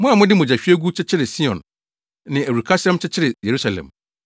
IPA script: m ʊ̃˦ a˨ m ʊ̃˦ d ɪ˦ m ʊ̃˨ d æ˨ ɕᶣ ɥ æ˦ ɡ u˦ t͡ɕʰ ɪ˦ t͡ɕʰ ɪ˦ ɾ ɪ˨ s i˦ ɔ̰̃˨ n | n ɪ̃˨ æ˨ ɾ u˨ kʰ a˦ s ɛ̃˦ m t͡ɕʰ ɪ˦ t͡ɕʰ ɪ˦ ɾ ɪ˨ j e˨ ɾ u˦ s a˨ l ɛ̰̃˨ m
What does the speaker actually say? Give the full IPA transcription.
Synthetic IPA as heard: m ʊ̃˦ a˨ m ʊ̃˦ d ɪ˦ m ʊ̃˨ d͡ʑ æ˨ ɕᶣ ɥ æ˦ ɡ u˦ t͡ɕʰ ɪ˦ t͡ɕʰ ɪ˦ ɾ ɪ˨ s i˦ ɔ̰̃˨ n | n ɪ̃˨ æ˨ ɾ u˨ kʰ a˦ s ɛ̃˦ m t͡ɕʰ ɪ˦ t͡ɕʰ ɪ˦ ɾ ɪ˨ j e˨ ɾ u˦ s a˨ l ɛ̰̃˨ m